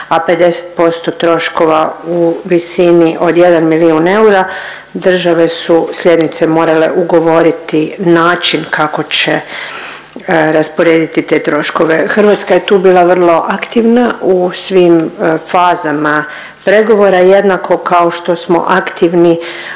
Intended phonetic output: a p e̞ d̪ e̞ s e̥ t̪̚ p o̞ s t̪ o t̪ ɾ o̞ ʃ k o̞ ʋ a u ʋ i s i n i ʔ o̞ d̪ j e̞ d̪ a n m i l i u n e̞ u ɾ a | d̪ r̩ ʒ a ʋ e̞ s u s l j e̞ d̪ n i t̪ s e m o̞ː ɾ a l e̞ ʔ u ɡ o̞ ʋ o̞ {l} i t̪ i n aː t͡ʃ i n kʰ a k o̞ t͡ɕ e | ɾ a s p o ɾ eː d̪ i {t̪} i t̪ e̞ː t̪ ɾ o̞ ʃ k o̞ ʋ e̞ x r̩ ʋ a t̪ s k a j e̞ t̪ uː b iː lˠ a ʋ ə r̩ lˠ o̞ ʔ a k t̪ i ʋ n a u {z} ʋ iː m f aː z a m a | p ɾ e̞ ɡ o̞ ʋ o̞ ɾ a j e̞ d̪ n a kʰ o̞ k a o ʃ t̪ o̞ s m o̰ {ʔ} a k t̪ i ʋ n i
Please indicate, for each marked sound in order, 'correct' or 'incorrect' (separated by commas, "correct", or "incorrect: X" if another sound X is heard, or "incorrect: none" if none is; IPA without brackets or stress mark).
incorrect: ɾ, correct, incorrect: s, correct